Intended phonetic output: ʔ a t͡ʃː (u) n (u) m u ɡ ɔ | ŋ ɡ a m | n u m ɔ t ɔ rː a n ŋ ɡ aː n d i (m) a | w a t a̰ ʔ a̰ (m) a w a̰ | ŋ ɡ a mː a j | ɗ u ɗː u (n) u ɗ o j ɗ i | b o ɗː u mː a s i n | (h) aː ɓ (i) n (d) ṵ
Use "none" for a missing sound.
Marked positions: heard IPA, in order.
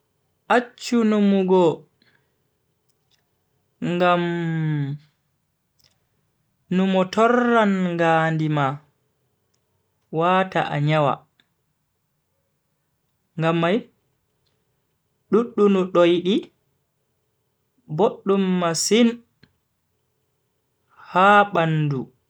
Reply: u, u, m, ɲ, n, h, a, d

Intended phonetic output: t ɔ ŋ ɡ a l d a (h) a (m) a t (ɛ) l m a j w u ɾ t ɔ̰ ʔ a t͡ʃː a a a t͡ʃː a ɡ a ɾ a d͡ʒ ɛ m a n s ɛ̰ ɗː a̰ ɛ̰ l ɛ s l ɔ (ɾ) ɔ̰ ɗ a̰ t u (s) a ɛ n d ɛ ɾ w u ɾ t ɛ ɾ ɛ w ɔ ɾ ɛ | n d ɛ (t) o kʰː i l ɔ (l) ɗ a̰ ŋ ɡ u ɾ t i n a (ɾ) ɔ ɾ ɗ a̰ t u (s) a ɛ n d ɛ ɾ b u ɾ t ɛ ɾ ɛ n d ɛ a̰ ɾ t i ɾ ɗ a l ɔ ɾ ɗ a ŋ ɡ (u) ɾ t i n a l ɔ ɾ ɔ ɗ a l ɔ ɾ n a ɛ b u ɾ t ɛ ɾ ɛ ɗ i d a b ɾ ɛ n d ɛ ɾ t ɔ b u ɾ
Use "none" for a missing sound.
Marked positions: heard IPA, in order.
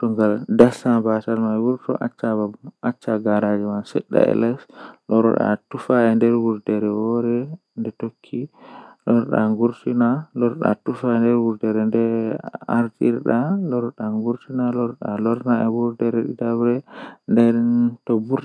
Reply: s, b, a, ɾ, f, t, ɾ, l, f, u

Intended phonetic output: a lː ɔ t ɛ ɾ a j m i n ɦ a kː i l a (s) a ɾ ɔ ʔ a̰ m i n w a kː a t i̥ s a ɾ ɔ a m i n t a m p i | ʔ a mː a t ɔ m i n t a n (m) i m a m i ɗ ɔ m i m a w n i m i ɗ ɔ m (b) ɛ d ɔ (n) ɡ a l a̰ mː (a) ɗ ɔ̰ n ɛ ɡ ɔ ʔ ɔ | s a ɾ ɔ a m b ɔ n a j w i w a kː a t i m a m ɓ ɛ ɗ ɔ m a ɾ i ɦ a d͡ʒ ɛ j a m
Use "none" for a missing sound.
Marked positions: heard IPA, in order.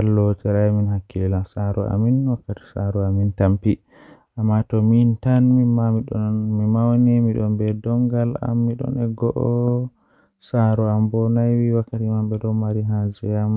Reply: s, m, b, ŋ, i

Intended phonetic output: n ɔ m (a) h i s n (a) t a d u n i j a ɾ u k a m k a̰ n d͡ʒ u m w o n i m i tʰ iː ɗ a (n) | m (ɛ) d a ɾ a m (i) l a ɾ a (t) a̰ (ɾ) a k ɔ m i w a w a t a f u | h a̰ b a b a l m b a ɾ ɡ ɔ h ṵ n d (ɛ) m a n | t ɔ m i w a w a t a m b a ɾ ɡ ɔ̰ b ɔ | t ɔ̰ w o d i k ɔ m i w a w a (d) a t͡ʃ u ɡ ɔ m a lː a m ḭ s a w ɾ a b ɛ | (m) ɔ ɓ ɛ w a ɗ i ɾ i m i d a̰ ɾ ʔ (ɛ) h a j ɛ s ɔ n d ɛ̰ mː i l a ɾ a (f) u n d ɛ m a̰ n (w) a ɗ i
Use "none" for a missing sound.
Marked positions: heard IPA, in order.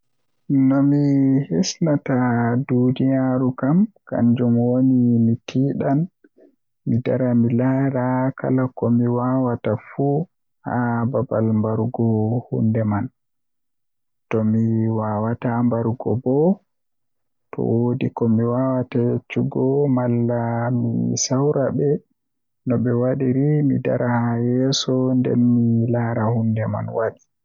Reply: i, a, n, i, i, k, l, ɛ, t, n, a, h, w

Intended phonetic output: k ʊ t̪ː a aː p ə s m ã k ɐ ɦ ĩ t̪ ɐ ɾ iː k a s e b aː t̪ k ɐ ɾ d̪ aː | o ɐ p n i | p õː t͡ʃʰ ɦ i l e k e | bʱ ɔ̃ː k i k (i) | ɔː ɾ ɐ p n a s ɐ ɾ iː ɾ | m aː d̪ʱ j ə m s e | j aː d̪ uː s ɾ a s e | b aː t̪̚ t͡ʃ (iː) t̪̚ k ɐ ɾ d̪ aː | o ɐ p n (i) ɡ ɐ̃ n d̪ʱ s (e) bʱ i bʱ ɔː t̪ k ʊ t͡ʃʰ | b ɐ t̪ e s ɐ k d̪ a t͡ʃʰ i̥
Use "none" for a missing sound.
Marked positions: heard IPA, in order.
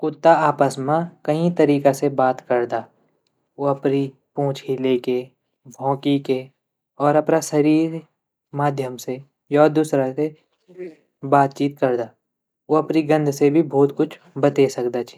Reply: e, iː, i, e

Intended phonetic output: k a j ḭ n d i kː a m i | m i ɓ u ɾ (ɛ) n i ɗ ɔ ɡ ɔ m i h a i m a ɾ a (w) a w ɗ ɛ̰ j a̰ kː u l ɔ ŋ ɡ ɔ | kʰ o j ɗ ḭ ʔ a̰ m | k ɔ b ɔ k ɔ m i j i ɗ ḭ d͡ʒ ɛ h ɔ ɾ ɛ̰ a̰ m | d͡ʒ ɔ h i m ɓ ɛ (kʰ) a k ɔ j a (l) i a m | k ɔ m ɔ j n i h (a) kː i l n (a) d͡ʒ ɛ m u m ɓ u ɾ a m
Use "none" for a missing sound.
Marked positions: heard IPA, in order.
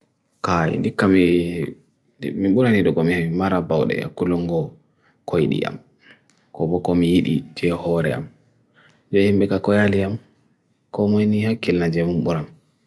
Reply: a, b, k, l, a, a

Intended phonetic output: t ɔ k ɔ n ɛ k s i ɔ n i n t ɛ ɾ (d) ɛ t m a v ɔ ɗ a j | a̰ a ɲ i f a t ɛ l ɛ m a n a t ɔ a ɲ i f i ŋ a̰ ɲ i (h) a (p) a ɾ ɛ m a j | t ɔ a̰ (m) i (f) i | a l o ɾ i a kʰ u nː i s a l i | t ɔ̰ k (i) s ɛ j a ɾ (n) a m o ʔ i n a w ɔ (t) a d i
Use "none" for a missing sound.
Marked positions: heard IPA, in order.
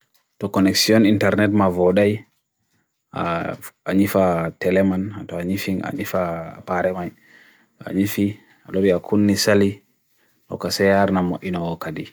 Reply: n, f, p, ɲ, f, a, n, k

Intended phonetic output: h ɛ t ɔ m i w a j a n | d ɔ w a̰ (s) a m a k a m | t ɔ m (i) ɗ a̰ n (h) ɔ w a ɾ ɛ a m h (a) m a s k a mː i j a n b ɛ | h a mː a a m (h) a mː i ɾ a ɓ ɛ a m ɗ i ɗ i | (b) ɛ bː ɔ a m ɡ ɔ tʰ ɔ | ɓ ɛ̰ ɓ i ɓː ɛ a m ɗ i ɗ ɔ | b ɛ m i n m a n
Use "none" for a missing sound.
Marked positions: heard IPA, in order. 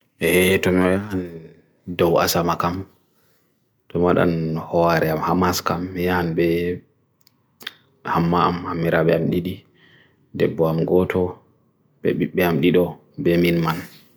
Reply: s, a, h, a, h, d

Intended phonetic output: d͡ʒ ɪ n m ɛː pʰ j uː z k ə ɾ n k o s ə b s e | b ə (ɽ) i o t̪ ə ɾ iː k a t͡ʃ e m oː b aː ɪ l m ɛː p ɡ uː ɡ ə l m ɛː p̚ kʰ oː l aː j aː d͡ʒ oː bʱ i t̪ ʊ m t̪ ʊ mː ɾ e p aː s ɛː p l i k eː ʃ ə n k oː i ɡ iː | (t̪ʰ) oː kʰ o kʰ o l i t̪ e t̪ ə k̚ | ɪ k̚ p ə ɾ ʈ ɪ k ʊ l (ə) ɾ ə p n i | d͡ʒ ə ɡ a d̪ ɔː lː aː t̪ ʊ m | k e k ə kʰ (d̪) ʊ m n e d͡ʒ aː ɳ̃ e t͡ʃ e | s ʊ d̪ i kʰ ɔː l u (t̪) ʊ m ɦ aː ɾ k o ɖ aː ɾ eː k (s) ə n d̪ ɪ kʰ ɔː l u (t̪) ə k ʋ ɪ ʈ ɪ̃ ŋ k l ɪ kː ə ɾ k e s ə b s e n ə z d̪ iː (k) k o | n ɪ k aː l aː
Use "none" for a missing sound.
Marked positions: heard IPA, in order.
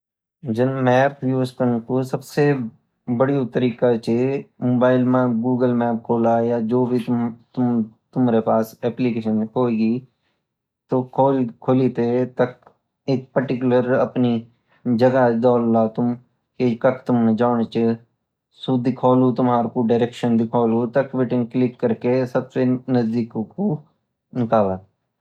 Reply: ɽ, t̪, ə, t̪, t̪, ʃ, t̪, k

